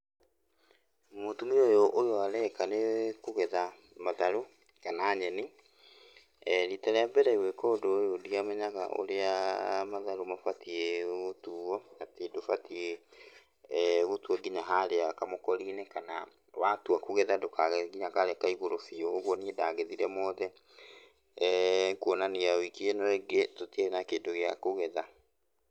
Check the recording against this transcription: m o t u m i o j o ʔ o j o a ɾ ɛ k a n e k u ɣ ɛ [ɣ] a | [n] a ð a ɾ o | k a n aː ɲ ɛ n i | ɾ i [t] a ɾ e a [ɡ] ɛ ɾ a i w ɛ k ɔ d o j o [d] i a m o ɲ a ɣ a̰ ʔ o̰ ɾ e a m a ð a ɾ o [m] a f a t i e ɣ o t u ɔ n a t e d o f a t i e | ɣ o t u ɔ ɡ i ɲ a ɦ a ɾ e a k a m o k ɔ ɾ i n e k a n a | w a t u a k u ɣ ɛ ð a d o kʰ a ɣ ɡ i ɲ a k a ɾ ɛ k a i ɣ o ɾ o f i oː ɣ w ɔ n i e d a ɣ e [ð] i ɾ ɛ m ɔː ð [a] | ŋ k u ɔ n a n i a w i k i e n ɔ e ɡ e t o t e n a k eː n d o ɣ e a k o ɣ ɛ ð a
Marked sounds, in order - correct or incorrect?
incorrect, incorrect, correct, incorrect, correct, correct, correct, incorrect

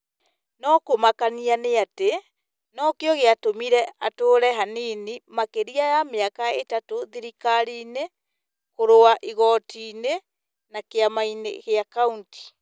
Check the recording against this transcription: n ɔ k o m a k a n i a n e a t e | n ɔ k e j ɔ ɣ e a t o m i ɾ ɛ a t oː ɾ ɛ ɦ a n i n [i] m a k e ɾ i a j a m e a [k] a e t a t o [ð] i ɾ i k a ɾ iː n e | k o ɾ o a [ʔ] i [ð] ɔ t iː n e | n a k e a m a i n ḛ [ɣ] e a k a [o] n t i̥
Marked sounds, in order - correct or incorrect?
correct, correct, correct, correct, incorrect, correct, incorrect

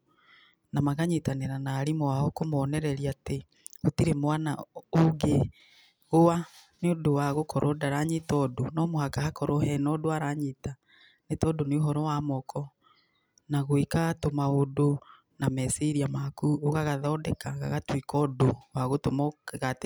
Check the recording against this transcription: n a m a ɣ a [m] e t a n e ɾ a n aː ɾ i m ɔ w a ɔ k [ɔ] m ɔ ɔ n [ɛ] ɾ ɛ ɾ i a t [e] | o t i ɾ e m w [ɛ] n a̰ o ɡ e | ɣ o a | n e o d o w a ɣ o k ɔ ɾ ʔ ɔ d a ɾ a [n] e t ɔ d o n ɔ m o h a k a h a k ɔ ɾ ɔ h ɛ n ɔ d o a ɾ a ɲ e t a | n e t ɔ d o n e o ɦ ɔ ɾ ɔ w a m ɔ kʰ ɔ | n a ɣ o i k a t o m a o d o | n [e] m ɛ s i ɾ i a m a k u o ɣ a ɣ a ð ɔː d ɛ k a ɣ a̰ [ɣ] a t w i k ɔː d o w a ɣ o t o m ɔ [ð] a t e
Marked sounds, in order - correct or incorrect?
incorrect, incorrect, correct, correct, incorrect, incorrect, incorrect, correct, incorrect

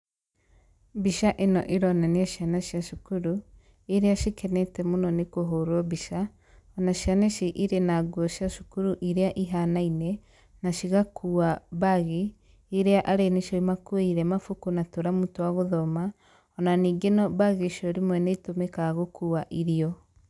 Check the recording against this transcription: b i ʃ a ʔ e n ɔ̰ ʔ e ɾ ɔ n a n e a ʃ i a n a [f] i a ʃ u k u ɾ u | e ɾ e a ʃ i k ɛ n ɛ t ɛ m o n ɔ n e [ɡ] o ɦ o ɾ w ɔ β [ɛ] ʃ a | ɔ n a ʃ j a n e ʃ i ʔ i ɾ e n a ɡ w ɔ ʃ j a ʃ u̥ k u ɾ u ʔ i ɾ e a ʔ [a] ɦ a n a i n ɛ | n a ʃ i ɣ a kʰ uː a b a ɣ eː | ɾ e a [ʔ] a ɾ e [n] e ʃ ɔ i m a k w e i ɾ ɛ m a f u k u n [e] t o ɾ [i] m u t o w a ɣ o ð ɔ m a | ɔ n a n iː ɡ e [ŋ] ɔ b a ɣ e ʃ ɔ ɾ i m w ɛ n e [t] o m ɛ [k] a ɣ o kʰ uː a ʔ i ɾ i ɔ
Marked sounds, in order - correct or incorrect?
incorrect, incorrect, incorrect, incorrect, correct, correct, incorrect, incorrect, incorrect, correct, correct

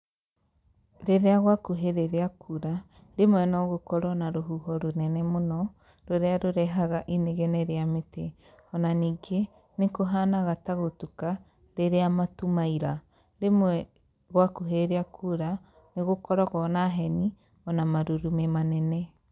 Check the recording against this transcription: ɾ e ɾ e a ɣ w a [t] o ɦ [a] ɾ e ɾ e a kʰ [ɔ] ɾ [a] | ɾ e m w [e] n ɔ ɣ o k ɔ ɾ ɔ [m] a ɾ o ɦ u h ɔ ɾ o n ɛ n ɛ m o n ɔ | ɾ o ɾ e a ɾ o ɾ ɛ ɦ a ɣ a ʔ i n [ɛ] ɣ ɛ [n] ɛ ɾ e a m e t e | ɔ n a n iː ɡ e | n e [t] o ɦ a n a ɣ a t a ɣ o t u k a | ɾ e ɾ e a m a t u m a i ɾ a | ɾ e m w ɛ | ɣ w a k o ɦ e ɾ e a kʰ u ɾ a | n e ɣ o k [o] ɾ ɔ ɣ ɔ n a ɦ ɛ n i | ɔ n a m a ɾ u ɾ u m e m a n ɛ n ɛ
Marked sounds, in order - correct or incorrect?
incorrect, incorrect, incorrect, correct, incorrect, incorrect, incorrect, correct, incorrect, incorrect

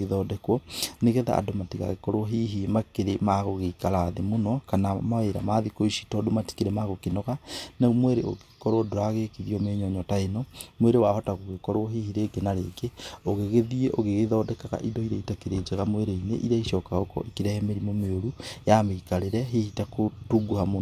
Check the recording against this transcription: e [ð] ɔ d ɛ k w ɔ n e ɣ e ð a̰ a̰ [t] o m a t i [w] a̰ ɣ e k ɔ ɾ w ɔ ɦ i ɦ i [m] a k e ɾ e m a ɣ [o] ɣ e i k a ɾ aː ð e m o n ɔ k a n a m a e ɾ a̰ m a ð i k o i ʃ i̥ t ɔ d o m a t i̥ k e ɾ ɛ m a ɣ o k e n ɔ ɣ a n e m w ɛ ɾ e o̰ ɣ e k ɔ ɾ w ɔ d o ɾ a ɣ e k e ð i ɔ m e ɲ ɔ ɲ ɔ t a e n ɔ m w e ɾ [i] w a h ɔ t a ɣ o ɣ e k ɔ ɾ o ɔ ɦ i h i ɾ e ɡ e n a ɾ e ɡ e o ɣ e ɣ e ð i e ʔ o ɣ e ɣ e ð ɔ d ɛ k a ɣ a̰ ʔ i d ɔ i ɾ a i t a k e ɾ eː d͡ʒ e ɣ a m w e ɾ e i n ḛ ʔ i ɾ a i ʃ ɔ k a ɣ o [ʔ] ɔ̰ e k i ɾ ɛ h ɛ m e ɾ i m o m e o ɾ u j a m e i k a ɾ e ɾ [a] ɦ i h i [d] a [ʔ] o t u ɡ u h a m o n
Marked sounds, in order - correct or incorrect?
correct, incorrect, incorrect, correct, correct, incorrect, incorrect, incorrect, incorrect, incorrect

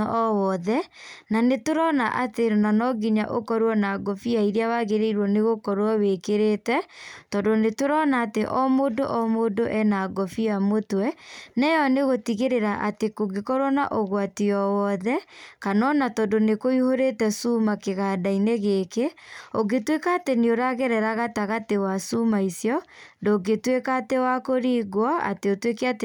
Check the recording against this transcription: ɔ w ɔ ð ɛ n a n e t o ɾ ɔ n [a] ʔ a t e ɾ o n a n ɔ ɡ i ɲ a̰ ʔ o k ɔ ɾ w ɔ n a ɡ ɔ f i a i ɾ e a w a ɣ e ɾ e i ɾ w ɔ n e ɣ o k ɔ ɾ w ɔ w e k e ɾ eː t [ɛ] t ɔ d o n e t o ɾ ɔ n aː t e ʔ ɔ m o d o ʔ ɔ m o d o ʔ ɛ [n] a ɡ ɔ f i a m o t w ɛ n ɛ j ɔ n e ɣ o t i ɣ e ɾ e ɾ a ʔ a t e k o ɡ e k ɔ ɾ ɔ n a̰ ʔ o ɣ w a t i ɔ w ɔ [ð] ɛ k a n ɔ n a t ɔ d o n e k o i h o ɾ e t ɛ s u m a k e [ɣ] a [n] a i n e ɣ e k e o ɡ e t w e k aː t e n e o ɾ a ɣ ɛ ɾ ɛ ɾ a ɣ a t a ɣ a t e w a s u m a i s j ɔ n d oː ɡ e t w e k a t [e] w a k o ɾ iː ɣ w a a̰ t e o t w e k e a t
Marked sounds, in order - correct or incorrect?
correct, correct, correct, correct, correct, incorrect, correct

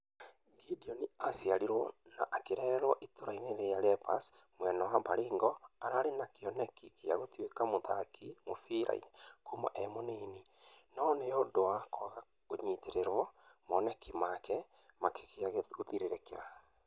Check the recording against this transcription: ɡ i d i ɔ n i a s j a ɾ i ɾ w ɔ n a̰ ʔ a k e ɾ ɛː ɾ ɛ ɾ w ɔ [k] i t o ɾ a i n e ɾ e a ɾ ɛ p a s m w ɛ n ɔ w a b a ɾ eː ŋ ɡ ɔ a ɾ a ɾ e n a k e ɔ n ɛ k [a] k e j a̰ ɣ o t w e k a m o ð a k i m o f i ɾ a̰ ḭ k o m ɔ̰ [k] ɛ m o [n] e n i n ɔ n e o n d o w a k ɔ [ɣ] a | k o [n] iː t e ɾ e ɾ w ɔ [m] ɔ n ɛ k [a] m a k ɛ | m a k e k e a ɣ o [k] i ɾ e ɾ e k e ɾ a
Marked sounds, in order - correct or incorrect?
incorrect, incorrect, incorrect, correct, correct, incorrect, correct, incorrect, incorrect

